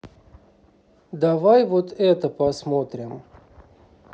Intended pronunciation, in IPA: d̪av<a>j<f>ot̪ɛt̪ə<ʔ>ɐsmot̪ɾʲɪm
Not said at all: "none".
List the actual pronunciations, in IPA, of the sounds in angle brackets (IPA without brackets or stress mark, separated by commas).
a, v, p